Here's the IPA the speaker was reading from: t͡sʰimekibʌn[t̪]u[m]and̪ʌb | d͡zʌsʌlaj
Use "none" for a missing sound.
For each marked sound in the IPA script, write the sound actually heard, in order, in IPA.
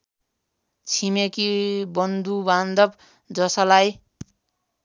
d̪, b

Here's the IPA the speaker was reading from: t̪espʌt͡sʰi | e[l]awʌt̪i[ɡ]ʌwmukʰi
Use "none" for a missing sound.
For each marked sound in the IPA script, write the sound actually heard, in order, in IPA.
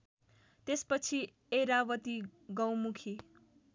ɾ, ɡ

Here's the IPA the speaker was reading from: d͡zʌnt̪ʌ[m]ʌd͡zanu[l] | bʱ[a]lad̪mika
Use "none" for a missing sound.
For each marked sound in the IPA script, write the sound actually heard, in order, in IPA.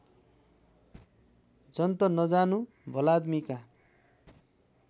n, none, ʌ

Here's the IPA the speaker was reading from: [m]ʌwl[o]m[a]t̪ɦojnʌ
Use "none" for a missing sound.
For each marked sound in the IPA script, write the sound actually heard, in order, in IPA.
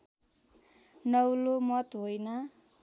n, o, ʌ

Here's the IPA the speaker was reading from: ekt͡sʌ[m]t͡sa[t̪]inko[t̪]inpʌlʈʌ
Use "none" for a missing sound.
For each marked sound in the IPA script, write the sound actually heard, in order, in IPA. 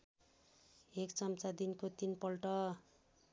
m, d̪, t̪

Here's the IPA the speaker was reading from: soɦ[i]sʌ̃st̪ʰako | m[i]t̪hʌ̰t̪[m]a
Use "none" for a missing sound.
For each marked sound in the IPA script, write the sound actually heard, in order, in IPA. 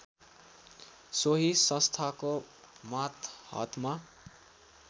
i, a, m

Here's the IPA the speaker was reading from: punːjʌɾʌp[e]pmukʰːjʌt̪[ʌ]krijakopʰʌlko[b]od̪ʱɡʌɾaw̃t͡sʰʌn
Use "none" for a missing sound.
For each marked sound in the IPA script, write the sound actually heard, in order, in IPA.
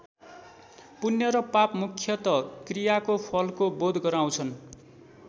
a, ʌ, b

